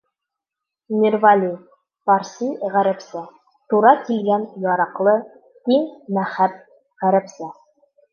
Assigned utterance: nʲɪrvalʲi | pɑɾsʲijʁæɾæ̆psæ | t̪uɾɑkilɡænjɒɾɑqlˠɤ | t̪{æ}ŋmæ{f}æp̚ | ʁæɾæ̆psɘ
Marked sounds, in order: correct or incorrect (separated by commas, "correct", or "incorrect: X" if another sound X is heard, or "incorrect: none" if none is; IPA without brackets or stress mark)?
incorrect: i, incorrect: χ